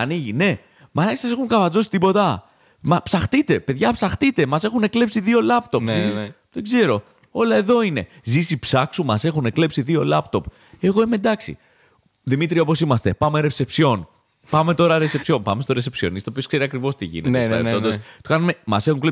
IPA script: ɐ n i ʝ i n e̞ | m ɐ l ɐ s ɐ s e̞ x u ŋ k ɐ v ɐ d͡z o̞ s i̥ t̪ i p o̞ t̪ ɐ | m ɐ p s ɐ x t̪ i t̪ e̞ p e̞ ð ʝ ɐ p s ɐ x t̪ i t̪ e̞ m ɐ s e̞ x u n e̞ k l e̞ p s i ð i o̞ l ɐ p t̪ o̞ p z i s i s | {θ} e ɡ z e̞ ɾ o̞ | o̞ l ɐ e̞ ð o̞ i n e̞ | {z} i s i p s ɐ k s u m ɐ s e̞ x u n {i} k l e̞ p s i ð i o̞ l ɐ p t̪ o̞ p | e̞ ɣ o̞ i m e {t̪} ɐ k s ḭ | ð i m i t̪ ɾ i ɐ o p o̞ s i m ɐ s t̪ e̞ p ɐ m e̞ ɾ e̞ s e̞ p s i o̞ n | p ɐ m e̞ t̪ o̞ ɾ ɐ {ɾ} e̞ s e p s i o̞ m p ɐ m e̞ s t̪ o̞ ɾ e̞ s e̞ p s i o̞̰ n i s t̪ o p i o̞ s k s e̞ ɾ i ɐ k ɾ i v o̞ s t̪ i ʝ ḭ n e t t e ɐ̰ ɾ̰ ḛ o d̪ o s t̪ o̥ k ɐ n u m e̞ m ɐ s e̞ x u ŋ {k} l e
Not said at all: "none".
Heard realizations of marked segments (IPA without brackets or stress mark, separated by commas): ð, z, e, d̪, ɾ, k